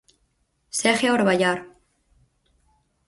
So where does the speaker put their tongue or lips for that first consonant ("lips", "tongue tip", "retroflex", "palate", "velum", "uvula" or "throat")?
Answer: tongue tip